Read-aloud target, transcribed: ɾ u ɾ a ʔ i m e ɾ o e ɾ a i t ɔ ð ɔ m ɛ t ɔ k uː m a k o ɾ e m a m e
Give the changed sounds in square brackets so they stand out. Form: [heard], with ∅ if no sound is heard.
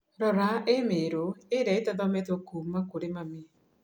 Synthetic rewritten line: ɾ [ɔ] ɾ a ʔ [e] m e ɾ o e ɾ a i t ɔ ð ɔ m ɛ t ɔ k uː m a k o ɾ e m a m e